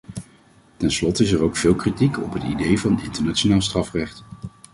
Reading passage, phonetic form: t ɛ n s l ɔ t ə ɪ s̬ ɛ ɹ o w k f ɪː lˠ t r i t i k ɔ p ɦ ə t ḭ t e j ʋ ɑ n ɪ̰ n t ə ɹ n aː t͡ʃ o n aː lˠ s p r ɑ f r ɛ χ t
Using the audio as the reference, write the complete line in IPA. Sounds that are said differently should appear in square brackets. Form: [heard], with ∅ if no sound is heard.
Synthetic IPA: t ɛ n s l ɔ t ə ɪ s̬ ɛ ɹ o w k f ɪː lˠ [k] r i t i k ɔ p ɦ ə t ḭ [d] e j [v] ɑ n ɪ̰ n t ə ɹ n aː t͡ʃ o n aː lˠ s [t] r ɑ f r ɛ χ t